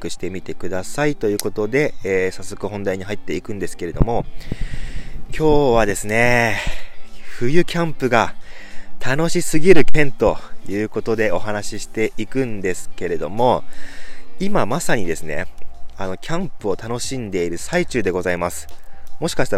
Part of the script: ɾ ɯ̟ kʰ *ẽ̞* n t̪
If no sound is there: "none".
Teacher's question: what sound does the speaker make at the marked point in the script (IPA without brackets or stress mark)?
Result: ẽ̞